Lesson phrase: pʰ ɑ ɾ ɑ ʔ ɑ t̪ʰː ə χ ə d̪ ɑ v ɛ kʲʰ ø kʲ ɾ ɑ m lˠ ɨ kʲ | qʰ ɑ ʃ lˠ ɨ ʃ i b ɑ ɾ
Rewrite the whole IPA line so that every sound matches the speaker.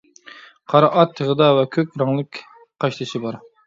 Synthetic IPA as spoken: qʰ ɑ ɾ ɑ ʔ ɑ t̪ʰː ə ʁ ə d̪ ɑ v ɛ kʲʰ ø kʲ ɾ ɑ ŋ lˠ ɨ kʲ | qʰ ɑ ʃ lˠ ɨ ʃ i b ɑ ɾ